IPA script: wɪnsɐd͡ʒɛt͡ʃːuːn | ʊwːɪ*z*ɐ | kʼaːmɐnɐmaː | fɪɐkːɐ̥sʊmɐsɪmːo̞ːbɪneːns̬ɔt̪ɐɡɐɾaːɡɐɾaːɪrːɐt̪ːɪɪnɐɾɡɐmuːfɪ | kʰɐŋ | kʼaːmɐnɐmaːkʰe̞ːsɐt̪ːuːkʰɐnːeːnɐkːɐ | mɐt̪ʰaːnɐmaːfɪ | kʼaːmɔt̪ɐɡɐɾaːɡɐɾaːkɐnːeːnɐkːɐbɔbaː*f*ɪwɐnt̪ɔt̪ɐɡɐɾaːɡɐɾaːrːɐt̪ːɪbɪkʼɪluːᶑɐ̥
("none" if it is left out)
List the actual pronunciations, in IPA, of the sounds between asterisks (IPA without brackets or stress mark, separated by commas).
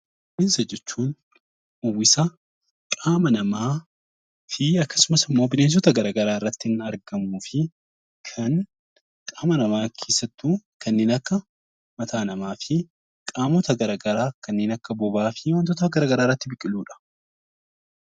s, f